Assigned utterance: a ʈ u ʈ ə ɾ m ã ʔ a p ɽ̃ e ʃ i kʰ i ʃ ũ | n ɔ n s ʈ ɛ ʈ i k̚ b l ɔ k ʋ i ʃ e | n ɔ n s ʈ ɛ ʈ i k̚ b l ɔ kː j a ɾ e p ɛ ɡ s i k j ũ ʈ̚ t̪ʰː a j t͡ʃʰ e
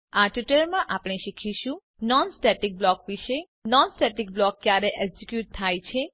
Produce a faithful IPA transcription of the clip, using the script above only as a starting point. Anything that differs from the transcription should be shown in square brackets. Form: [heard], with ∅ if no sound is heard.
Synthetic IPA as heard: a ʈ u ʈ ə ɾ m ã ʔ a p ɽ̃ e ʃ i kʰ i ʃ ũ | n ɔ n s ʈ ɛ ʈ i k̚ b l ɔ k ʋ i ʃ e | n ɔ n s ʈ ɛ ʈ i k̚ b l ɔ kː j a ɾ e [ʔ] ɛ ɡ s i k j [u] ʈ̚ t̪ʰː a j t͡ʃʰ e

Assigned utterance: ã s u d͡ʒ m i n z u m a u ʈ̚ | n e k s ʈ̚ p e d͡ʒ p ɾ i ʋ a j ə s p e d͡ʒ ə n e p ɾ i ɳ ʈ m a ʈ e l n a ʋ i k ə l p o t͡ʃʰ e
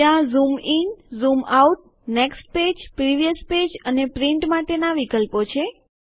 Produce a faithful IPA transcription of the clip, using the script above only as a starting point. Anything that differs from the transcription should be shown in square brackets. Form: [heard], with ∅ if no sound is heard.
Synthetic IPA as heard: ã [z] u [∅] m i n z u m a u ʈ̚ | n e k s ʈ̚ p e d͡ʒ p ɾ i ʋ [i] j ə s p e d͡ʒ ə n e p ɾ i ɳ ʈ m a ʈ e [∅] n a ʋ i k ə l p o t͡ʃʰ e

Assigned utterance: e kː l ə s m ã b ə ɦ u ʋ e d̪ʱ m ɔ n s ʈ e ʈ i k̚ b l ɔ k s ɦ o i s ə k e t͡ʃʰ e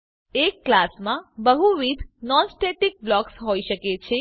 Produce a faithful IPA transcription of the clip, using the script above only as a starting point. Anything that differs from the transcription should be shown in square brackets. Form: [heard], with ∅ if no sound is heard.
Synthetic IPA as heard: e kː l [a] s m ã b ə ɦ u ʋ [i] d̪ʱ [n] ɔ n s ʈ e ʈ i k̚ b l ɔ k s ɦ o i [ʃ] ə k e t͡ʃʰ e

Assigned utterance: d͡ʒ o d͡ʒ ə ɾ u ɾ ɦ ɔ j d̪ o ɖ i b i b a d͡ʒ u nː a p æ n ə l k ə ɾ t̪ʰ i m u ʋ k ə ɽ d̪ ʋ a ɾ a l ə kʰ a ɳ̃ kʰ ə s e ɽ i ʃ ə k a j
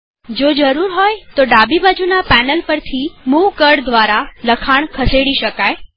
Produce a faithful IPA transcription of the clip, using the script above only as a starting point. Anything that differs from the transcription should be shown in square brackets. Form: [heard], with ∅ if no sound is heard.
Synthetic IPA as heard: d͡ʒ o d͡ʒ ə ɾ u ɾ ɦ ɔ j [t̪] o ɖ [a] b i b a d͡ʒ u [n] a p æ n ə l [p] ə ɾ t̪ʰ i m u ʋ k ə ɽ d̪ ʋ a ɾ a l ə kʰ a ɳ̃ kʰ ə s e ɽ i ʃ ə k a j

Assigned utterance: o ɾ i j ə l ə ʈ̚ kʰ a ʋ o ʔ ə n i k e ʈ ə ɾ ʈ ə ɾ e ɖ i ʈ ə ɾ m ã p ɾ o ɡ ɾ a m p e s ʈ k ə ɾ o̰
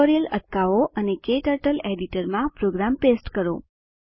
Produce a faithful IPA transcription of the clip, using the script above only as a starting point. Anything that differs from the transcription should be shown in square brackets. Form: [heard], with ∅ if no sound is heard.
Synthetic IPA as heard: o ɾ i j ə l ə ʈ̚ [k] a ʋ o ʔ ə n [e] k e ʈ ə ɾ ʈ ə [l] e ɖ i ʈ ə ɾ m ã p ɾ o ɡ ɾ a m p e s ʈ k ə ɾ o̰

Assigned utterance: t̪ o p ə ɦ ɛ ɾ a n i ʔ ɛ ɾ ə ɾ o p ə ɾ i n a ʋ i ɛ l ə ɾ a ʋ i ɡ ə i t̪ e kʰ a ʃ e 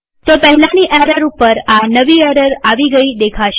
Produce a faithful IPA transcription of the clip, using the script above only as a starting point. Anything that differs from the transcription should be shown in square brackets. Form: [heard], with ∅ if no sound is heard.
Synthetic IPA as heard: t̪ o p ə ɦ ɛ [l] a n i ʔ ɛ ɾ ə ɾ [u] p ə ɾ [a] n [ə] ʋ i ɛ [ɾ] ə ɾ a ʋ i ɡ ə i [d̪] e kʰ a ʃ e

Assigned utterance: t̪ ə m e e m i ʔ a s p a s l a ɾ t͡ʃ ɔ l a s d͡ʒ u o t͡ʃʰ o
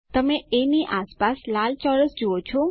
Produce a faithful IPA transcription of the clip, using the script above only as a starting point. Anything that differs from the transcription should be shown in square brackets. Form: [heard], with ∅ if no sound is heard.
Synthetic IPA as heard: t̪ ə m e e [n] i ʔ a s p a s l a [l] t͡ʃ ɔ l [ə] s d͡ʒ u o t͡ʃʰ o

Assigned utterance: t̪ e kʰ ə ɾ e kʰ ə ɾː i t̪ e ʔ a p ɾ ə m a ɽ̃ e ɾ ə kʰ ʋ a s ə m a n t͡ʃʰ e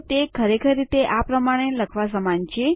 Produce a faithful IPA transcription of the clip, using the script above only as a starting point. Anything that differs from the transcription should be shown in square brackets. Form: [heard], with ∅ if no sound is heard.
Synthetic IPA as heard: t̪ e kʰ ə ɾ e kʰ ə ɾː i t̪ e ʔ a p ɾ ə m a ɽ̃ e [l] ə kʰ ʋ a s ə m a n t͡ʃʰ e

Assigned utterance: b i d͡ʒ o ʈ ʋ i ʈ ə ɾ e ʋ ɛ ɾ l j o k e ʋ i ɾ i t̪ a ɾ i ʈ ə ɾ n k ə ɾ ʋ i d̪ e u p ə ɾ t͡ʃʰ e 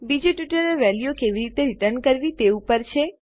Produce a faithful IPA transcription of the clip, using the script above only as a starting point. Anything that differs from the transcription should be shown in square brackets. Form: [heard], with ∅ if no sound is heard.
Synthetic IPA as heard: b i d͡ʒ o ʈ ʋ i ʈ ə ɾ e ʋ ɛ [∅] l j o k e ʋ i ɾ i t̪ [e] ɾ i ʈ ə ɾ n k ə ɾ ʋ i [t̪] e u p ə ɾ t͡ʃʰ e

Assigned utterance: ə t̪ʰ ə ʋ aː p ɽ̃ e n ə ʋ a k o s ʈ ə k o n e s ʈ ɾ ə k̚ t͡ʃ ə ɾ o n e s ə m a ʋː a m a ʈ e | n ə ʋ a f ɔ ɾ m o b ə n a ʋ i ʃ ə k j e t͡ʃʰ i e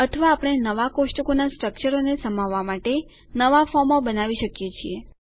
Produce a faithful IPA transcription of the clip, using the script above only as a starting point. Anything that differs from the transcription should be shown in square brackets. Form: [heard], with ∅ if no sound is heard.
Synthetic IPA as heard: ə t̪ʰ ə ʋ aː p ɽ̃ e n ə ʋ a k o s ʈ ə k o n [a] s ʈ ɾ ə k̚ t͡ʃ ə ɾ o n e s ə m a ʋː a m a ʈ e | n ə ʋ a f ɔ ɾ m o b ə n a ʋ i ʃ ə k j e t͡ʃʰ i e

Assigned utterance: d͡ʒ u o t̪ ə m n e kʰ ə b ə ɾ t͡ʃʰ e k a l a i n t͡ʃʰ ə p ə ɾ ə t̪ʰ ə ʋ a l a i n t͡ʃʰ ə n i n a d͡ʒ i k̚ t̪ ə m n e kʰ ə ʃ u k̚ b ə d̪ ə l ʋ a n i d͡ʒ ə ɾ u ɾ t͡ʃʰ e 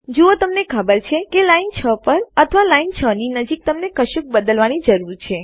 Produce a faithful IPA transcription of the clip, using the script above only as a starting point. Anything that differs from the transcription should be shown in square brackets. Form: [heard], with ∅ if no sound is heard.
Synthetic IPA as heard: d͡ʒ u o t̪ ə m n e kʰ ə b ə ɾ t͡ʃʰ e k [e] l a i n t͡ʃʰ ə p ə ɾ ə t̪ʰ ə ʋ a l a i n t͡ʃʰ ə n i n [ə] d͡ʒ i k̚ t̪ ə m n e [k] ə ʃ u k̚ b ə d̪ ə l ʋ a n i d͡ʒ ə ɾ u ɾ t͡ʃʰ e

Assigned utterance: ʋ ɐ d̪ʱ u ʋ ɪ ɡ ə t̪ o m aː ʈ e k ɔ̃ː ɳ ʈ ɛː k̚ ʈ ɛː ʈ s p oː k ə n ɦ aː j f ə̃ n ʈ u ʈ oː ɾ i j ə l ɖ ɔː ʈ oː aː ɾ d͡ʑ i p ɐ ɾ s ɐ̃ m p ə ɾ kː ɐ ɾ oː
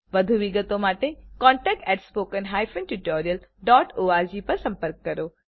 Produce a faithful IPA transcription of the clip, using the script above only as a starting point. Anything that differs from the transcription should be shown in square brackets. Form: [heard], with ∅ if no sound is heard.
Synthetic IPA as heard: ʋ ɐ d̪ʱ u ʋ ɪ ɡ ə t̪ o m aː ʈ e k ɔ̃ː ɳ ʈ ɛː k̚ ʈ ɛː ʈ s p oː k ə n ɦ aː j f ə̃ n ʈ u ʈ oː ɾ i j ə l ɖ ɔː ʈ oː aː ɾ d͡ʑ i p ɐ ɾ s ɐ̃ m p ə ɾ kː ɐ ɾ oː

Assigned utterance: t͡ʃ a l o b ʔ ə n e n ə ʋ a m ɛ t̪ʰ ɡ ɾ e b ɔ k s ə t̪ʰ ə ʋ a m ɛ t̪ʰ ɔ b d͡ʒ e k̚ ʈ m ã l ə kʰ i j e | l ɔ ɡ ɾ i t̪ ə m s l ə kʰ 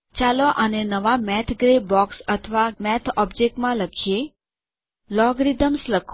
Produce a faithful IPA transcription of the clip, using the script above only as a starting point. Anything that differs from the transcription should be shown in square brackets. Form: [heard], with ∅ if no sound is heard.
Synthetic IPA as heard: t͡ʃ a l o [∅] ʔ ə n e n ə ʋ a m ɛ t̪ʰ ɡ ɾ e b ɔ k s ə t̪ʰ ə ʋ a m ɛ t̪ʰ ɔ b d͡ʒ e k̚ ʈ m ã l ə kʰ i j e | l ɔ ɡ ɾ i [d̪] ə m s l ə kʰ

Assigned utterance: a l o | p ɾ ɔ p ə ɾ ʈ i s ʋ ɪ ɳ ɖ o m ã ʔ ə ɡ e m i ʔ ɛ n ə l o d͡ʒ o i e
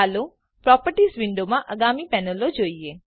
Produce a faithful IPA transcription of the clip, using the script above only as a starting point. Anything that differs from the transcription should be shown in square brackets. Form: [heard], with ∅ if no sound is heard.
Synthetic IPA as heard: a l o | p ɾ ɔ p ə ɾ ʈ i s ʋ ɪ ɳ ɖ o m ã ʔ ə ɡ [a] m i [p] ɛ n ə l o d͡ʒ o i e

